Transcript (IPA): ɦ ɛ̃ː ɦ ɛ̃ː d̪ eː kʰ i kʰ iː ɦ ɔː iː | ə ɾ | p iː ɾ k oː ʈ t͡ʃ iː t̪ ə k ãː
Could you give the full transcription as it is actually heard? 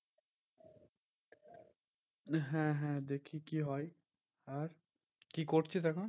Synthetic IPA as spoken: ɦ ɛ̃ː ɦ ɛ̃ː d̪ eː kʰ i k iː ɦ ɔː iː | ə ɾ | k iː k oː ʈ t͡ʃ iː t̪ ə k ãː